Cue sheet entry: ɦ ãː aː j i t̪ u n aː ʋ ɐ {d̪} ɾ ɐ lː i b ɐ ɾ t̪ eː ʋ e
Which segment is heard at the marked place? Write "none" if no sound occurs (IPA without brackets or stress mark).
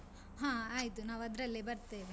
d̪